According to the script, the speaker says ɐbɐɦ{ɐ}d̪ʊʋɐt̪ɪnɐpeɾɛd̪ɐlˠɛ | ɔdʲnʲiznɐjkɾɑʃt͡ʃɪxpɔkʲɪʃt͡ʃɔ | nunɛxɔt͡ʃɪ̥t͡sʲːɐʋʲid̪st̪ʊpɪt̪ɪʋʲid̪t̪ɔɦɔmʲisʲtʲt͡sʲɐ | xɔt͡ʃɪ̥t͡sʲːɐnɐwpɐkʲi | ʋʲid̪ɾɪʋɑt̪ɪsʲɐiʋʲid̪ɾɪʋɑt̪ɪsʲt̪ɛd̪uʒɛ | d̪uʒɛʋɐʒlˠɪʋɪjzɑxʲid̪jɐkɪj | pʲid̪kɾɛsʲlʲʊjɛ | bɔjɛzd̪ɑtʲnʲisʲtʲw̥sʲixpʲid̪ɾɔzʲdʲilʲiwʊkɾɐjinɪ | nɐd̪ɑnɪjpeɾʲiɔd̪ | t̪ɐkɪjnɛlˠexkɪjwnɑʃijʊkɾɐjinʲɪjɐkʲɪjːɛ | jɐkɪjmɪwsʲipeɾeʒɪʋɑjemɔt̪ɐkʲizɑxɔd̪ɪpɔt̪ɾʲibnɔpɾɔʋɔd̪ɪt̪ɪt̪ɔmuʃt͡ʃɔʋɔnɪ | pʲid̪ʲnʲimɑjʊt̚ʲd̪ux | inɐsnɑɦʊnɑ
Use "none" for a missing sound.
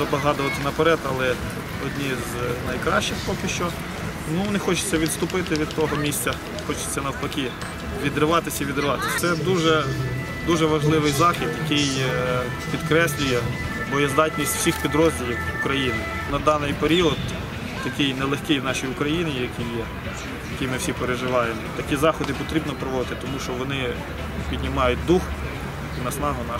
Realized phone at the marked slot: ɑ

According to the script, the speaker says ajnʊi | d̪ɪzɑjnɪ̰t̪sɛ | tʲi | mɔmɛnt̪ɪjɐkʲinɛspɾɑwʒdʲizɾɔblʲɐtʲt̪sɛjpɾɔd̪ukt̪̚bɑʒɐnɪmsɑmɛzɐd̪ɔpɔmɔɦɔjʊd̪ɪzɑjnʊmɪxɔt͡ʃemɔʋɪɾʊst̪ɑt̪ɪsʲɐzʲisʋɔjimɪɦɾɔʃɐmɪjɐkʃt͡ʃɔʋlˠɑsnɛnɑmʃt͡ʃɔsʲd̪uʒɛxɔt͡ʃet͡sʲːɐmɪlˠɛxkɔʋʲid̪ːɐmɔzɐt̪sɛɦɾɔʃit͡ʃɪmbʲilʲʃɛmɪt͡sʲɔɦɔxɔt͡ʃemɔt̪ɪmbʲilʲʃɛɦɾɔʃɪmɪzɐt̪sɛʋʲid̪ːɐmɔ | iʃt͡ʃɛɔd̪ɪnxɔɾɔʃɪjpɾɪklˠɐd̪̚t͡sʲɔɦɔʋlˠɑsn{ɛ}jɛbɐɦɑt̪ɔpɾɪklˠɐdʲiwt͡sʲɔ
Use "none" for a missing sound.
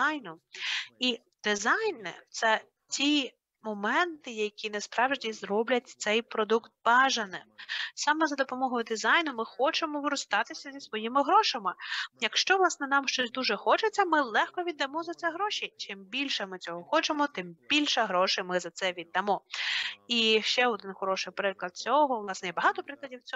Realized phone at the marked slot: ɛ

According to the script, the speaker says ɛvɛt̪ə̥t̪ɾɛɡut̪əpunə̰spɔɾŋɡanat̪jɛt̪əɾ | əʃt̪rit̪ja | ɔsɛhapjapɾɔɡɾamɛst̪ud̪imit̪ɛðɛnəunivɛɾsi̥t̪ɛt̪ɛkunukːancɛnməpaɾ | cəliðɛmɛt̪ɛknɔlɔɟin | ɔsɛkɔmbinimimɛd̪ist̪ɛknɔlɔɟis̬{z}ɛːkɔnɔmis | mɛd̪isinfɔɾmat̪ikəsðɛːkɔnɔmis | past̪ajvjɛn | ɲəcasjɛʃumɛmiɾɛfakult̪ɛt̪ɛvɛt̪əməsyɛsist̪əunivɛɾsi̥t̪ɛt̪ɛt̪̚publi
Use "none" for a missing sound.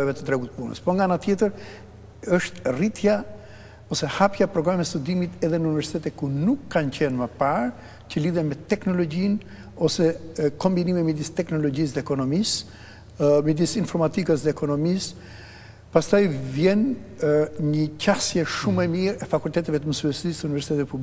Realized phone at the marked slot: ð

